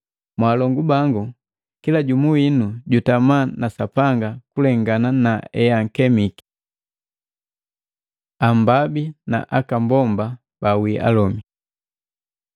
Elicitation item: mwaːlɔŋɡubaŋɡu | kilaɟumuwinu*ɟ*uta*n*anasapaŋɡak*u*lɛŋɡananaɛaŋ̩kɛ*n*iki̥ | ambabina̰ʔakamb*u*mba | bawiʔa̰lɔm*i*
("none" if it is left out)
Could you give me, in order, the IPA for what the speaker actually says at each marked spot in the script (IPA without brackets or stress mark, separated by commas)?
ɟ, m, u, m, ɔ, i